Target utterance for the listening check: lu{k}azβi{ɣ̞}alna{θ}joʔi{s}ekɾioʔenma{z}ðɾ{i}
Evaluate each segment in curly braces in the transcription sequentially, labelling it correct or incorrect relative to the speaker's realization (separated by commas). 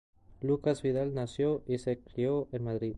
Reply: correct, incorrect, incorrect, correct, incorrect, correct